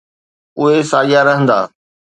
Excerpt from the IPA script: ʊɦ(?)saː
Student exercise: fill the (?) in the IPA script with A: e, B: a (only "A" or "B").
A